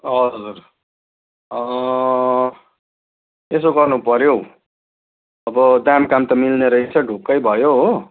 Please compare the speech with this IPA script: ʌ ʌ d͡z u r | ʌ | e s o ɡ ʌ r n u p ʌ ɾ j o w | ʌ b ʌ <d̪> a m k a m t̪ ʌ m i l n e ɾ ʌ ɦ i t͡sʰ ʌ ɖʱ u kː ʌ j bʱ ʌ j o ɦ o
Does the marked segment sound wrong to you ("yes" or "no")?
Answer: no